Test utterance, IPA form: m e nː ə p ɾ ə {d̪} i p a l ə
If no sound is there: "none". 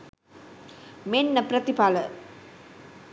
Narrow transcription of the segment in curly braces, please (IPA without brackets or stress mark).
t̪